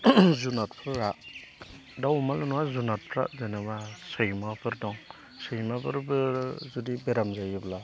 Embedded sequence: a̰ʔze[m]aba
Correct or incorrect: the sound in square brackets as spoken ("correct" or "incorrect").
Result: incorrect